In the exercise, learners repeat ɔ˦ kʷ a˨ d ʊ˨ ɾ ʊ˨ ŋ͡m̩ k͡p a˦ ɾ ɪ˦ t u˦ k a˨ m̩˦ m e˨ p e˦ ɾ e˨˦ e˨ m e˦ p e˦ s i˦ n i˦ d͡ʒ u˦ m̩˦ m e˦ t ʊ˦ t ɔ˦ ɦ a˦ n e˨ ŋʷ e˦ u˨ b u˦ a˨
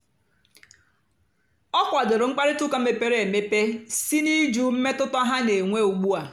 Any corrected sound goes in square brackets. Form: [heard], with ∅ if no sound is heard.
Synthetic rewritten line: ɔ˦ kʷ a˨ d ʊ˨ ɾ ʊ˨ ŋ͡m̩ k͡p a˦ ɾ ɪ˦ t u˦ k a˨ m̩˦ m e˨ p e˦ ɾ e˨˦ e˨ m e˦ p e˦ s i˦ n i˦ d͡ʒ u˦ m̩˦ m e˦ t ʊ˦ t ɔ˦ ɦ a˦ n e˨ ŋʷ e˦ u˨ [ɡ͡b] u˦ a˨

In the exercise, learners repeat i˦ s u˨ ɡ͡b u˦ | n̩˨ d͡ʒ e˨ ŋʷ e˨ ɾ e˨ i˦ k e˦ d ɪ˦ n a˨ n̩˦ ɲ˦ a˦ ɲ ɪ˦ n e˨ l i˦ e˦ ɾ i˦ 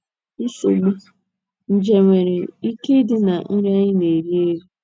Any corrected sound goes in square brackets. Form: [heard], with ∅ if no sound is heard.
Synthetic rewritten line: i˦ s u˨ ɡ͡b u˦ | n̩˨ d͡ʒ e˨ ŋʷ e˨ ɾ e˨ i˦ k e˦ d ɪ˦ n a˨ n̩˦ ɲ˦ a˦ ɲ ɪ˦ n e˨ [ɾ] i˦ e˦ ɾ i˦

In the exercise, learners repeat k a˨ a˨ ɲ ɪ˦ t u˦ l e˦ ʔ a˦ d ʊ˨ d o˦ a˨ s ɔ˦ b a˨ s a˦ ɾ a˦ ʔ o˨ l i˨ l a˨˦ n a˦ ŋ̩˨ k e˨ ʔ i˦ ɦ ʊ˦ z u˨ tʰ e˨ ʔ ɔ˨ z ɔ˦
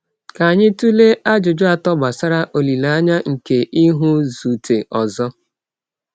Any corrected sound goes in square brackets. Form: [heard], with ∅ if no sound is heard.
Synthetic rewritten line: k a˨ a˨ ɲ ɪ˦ t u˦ l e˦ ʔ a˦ [d͡ʒ] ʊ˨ [d͡ʒ] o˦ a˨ [t] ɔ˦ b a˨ s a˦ ɾ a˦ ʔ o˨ l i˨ l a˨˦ [ɲ] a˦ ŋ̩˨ k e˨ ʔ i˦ ɦ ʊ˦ z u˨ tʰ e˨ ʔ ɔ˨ z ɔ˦

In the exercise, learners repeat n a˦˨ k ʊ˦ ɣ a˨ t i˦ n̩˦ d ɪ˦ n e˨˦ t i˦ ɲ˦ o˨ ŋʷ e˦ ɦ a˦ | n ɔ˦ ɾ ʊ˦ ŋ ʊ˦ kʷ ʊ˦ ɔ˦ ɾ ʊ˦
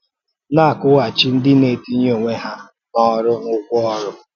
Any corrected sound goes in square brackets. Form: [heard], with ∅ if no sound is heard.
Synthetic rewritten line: n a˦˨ k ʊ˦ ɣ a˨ [t͡ʃ] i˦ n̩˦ d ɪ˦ n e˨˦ t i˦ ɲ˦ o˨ ŋʷ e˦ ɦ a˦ | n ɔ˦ ɾ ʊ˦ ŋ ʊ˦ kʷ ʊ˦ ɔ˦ ɾ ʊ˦

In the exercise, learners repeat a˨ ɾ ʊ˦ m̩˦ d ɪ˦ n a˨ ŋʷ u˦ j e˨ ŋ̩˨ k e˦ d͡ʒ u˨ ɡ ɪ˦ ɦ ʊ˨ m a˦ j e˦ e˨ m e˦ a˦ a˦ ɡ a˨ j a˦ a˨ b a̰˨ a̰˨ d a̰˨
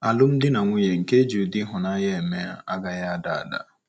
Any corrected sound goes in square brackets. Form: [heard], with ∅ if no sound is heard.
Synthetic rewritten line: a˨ [l] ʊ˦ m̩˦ d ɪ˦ n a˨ ŋʷ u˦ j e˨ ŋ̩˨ k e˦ d͡ʒ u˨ [d] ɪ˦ ɦ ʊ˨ [n] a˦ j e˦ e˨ m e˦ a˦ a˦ ɡ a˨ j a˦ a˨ [d] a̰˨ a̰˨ d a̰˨

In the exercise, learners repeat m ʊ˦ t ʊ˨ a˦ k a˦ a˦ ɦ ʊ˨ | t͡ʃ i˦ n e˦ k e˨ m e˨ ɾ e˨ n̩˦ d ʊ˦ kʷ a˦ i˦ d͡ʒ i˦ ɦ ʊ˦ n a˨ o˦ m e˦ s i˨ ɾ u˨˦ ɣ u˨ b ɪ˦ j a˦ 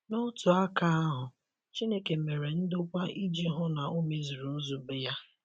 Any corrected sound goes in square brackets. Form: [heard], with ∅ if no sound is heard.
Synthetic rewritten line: [n] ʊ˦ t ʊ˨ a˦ k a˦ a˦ ɦ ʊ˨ | t͡ʃ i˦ n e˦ k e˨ m e˨ ɾ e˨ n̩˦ d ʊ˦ kʷ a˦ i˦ d͡ʒ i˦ ɦ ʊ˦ n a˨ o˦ m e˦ [z] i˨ ɾ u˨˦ [z] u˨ b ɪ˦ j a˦

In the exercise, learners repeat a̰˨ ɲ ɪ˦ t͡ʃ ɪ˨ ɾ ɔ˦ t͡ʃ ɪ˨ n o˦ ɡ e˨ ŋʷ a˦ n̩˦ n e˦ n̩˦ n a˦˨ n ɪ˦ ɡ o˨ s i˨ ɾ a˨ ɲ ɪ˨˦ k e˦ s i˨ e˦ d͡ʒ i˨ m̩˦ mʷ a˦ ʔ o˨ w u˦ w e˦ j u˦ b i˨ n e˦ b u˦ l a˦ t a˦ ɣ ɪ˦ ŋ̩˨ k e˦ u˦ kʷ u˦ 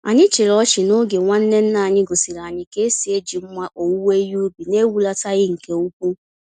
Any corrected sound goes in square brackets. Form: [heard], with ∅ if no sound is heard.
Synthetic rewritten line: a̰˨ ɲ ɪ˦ t͡ʃ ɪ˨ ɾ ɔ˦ t͡ʃ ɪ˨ n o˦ ɡ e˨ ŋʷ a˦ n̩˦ n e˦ n̩˦ n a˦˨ [ɲ] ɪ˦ ɡ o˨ s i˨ ɾ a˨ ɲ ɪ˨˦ k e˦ s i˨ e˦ d͡ʒ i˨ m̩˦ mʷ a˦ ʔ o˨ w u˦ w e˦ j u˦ b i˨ n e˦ [w] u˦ l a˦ t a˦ ɣ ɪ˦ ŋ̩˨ k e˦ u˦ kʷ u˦

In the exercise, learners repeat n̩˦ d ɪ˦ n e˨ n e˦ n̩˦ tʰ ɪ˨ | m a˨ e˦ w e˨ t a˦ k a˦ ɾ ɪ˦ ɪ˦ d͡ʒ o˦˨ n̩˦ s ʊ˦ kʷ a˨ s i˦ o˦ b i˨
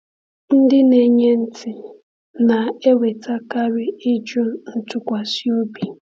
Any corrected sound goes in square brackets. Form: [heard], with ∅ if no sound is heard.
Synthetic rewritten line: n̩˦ d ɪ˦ n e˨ [ɲ] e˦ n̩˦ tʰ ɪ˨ | [n] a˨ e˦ w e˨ t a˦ k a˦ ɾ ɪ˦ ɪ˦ d͡ʒ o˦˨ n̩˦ [t] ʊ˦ kʷ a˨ s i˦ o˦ b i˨

